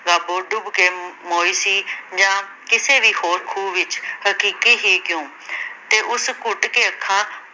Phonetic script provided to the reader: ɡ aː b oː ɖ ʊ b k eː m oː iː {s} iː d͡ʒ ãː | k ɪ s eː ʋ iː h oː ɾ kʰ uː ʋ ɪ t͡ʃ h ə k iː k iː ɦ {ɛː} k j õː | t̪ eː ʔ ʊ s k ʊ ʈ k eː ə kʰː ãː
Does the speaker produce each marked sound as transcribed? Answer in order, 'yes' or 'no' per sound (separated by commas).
yes, no